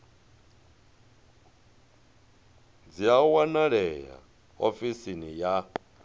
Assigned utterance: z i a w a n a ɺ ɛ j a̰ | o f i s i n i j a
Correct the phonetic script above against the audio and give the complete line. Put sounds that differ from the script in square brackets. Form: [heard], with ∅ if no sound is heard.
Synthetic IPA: [d͡z] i a w a n a ɺ ɛ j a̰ | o f i s i n i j a